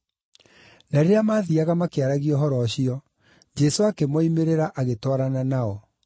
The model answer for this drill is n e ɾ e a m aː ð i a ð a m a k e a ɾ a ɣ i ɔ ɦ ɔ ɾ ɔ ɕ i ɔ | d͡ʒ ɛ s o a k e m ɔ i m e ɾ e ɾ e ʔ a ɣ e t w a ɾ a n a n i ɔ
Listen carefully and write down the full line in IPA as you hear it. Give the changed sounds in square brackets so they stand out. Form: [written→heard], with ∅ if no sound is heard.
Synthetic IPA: n [e→a] ɾ e a m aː ð i a [ð→ɣ] a m a k e a ɾ a ɣ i ɔ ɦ ɔ ɾ ɔ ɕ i ɔ | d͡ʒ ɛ s o a k e m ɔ i m e ɾ e ɾ [e→a] ʔ a ɣ e t w a ɾ a n a n [i→a] ɔ